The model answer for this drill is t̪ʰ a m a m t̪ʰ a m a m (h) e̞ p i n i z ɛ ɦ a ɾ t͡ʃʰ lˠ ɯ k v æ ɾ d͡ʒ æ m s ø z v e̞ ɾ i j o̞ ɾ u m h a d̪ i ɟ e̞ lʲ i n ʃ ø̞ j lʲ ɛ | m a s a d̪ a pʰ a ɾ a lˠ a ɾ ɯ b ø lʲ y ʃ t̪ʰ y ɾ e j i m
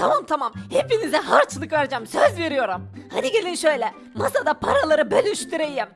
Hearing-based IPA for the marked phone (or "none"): h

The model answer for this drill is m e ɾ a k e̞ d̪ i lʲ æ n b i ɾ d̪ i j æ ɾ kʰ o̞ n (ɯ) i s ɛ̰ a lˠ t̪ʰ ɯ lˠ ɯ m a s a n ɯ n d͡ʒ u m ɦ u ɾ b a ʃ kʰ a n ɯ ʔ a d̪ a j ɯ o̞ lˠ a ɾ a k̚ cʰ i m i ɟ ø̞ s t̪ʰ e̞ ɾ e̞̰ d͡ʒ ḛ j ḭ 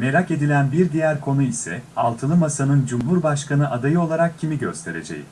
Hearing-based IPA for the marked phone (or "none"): u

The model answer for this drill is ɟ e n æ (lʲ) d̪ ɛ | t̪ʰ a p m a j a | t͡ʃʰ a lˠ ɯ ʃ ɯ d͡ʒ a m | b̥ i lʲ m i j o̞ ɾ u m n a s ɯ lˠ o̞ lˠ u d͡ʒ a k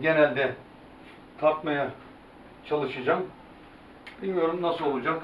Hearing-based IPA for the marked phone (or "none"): lʲ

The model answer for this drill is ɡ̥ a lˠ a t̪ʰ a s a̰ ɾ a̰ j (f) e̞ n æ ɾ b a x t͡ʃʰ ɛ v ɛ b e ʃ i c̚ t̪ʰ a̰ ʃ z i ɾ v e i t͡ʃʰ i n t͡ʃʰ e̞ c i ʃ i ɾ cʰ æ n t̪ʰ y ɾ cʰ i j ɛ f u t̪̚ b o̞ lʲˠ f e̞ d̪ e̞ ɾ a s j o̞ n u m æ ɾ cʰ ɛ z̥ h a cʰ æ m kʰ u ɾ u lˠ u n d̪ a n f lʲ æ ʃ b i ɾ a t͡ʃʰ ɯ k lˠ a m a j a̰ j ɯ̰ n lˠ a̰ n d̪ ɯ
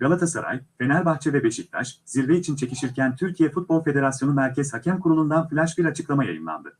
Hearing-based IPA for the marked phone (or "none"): f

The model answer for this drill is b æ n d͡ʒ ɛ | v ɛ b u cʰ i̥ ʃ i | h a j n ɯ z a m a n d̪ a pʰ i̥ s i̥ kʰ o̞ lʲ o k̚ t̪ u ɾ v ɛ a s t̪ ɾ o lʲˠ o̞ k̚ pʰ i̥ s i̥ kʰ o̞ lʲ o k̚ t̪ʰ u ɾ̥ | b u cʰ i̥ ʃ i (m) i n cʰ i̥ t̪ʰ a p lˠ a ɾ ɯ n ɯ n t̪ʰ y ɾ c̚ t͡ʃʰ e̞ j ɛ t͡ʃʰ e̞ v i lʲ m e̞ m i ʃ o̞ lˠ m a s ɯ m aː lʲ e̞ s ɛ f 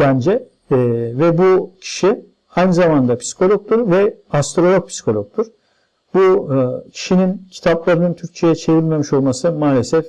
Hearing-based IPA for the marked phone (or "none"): n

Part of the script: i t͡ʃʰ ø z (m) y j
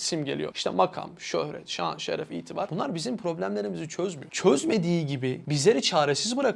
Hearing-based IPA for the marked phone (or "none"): m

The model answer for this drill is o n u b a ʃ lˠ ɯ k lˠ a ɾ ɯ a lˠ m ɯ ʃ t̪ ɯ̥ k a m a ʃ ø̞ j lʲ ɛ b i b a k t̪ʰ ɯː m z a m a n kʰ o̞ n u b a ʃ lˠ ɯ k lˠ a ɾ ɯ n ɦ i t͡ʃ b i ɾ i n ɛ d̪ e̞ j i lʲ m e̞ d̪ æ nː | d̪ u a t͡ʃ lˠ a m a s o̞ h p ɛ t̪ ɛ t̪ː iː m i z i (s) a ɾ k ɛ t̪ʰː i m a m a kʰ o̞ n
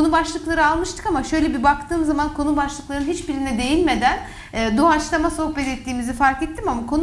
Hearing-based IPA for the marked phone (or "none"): f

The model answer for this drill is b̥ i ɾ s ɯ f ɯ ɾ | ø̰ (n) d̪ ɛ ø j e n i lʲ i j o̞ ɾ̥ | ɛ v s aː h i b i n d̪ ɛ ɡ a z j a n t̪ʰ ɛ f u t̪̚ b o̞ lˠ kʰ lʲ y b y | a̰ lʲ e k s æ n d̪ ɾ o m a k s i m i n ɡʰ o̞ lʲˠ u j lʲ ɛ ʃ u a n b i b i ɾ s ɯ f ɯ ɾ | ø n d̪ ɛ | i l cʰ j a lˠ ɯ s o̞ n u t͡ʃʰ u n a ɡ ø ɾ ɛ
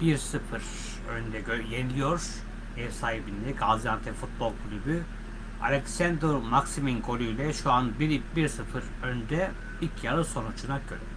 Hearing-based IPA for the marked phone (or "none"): n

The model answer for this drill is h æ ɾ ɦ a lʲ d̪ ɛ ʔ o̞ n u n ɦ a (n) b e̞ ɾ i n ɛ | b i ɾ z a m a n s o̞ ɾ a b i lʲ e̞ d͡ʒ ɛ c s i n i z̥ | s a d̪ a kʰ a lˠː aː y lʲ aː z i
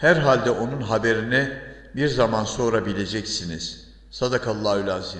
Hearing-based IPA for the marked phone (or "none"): none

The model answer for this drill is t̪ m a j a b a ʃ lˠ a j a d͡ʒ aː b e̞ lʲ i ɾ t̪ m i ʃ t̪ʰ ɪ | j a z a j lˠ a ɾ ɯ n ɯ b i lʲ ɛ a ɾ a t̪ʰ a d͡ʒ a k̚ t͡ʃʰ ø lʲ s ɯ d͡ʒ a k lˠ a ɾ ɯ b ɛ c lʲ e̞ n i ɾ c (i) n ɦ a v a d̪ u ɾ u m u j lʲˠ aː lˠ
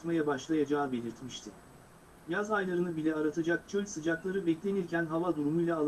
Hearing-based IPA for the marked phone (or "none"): æ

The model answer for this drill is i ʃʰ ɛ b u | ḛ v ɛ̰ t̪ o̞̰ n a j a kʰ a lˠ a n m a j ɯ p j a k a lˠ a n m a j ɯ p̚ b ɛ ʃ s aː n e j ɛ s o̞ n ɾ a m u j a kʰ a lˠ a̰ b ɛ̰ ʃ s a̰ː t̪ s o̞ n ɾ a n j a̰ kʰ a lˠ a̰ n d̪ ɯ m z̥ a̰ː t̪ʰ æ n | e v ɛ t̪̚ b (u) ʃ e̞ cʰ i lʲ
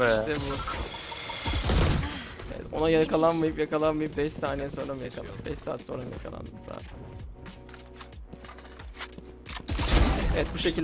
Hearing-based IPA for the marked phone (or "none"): u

